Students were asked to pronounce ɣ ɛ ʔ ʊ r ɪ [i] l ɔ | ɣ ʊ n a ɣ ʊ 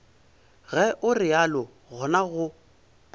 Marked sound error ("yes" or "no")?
yes